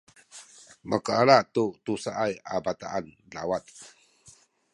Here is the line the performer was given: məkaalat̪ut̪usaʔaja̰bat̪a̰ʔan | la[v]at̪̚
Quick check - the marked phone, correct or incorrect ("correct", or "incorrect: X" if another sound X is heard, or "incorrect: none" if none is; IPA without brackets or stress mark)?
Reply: incorrect: w